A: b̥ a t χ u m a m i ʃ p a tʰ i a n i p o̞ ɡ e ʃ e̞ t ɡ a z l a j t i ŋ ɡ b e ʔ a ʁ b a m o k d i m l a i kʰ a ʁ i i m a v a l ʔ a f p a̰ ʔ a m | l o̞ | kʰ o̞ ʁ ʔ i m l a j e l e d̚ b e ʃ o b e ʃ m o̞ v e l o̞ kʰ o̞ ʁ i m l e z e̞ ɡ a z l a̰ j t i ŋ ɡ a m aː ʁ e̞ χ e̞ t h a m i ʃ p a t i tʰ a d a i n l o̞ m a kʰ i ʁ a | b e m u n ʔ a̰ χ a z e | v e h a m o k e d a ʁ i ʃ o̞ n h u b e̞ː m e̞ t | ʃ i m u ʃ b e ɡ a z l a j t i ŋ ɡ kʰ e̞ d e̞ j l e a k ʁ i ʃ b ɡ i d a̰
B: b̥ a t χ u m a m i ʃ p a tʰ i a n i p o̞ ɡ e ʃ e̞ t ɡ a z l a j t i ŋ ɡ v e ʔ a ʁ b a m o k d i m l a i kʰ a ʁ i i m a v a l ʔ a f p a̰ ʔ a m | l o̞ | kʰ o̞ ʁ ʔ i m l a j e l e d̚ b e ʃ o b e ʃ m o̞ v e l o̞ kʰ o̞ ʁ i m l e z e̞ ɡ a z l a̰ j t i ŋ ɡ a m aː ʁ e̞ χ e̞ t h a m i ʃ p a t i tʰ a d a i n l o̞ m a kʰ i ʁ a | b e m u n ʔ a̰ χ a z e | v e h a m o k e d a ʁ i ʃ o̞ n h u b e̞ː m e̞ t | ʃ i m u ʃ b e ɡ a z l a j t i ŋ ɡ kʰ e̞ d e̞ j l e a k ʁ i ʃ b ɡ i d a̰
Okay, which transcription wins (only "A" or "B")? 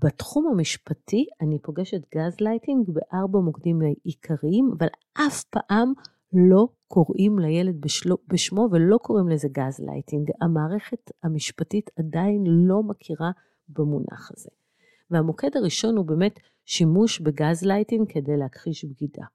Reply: A